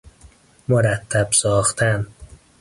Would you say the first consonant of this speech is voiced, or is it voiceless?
voiced